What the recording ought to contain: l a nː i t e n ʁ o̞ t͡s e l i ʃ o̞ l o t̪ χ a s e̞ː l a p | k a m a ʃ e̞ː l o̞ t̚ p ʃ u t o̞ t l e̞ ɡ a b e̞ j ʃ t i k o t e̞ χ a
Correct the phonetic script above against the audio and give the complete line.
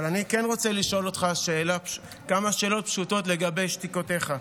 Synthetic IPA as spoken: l a n i k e n ʁ o̞ t͡s e l i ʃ o̞ l o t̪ χ a ʃ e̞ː l a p | k a m a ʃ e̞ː l o̞ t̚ p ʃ u t o̞ t l e̞ ɡ a b e̞ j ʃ t i k o t e̞ χ a